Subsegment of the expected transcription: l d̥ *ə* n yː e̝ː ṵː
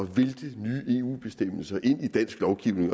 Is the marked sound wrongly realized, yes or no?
no